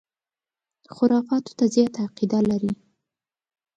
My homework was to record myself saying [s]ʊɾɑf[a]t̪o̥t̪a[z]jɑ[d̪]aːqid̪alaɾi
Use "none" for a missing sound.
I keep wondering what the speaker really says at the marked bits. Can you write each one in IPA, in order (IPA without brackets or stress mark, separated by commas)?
x, ɑ, z, t̪